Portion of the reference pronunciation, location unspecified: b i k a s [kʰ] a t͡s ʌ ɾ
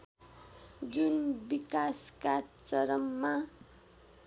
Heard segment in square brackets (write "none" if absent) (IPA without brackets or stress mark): k